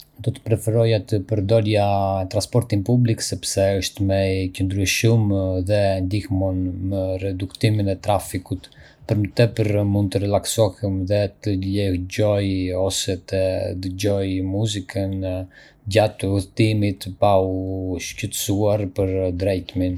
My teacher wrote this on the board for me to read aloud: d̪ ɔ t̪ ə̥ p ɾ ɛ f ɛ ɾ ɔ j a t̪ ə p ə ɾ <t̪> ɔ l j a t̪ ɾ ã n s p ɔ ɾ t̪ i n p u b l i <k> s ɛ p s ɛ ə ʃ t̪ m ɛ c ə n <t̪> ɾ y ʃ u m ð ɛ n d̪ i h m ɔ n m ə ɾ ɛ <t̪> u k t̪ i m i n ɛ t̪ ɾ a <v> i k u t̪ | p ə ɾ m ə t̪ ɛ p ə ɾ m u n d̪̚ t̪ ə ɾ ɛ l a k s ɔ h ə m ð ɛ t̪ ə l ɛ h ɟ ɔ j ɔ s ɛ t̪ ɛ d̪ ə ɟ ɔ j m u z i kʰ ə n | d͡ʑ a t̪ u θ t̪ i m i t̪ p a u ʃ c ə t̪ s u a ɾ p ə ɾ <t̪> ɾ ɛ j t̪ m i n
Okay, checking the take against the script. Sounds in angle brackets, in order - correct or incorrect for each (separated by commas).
incorrect, correct, incorrect, incorrect, incorrect, incorrect